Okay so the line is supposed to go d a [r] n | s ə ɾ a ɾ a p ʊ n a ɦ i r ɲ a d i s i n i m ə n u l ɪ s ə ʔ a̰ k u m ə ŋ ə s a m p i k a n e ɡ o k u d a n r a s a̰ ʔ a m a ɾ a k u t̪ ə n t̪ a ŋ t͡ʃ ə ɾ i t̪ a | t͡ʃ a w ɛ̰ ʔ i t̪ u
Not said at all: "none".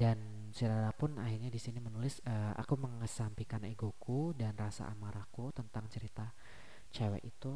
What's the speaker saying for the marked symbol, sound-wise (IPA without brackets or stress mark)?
none